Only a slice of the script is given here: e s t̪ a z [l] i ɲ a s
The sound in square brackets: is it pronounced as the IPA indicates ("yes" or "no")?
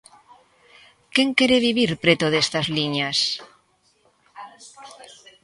yes